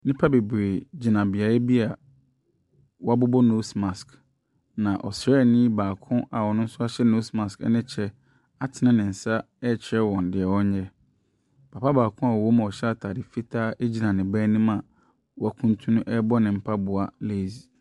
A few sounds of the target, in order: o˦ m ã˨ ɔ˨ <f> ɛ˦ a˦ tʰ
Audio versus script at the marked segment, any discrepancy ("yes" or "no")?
yes